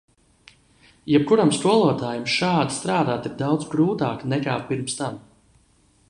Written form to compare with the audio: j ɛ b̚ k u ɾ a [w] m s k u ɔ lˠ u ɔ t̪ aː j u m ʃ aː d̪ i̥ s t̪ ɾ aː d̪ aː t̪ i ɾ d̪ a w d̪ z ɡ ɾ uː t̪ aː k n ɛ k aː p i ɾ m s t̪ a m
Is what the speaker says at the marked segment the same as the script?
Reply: no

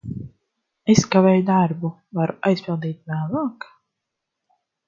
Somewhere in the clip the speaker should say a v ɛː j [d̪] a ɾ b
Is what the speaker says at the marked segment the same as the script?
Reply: yes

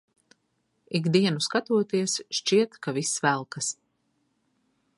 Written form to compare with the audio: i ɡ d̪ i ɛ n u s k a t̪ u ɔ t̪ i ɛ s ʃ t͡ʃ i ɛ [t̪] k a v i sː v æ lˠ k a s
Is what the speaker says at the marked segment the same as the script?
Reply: yes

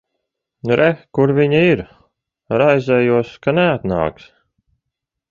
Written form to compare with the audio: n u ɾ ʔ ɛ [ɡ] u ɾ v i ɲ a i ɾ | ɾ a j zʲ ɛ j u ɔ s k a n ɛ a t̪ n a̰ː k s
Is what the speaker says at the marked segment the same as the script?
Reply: no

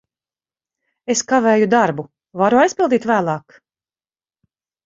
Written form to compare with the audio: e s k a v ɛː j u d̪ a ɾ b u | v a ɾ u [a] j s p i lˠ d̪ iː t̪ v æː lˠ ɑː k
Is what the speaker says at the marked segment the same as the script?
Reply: yes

